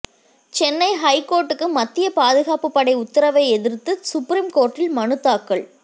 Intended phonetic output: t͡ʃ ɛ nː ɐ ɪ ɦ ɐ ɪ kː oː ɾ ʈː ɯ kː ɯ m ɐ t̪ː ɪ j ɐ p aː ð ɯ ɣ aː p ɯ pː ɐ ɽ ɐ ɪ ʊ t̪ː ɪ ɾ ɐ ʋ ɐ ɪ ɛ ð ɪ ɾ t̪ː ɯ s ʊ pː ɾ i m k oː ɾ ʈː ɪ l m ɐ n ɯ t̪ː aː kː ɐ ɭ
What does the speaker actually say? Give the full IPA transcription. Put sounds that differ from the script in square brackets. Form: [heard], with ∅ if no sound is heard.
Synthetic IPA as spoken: t͡ʃ ɛ nː ɐ ɪ ɦ ɐ ɪ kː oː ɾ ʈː ɯ kː ɯ m ɐ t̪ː ɪ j ɐ p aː ð ɯ ɣ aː p ɯ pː ɐ ɽ ɐ ɪ ʊ t̪ː ɪ ɾ ɐ ʋ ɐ ɪ ɛ ð ɪ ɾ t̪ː ɯ s ʊ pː ɾ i m k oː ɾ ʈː ɪ l m ɐ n ɯ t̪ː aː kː ɐ ɭ